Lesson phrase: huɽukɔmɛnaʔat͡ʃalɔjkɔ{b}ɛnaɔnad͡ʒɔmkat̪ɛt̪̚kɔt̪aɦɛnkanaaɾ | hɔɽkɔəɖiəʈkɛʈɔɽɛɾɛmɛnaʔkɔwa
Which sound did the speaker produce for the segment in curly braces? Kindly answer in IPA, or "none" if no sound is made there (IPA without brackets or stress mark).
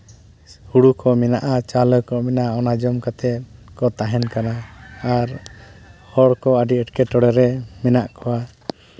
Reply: m